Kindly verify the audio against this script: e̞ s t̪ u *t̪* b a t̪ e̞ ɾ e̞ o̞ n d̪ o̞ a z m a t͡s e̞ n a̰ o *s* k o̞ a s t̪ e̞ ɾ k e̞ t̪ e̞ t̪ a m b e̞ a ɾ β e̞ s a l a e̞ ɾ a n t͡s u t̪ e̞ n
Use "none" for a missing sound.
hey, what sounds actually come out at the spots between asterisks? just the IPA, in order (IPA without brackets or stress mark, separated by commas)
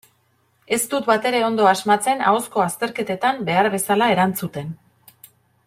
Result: t̪, s